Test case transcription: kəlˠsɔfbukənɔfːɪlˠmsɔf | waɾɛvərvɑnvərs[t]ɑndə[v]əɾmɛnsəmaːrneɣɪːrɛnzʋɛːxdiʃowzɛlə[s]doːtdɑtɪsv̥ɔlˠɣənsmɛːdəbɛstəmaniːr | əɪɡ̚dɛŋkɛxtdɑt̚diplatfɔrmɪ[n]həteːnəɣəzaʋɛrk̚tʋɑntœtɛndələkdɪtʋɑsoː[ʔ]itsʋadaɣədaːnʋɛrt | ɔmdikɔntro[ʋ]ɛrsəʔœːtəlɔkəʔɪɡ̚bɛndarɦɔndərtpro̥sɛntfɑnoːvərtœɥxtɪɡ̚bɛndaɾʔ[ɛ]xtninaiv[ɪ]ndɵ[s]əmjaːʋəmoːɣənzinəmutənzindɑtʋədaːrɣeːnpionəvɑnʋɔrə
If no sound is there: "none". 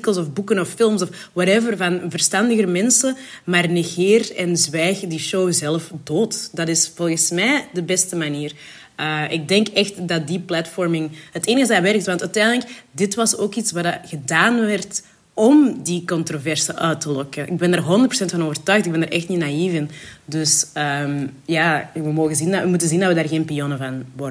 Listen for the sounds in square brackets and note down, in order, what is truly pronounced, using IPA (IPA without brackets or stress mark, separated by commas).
t, ɣ, f, ŋ, k, v, ɛ, ɪ, s